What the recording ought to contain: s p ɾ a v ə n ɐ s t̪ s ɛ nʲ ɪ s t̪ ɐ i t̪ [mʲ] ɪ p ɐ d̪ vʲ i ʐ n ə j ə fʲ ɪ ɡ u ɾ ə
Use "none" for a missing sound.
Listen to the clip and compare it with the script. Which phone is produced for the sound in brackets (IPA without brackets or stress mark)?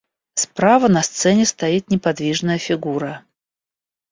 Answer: nʲ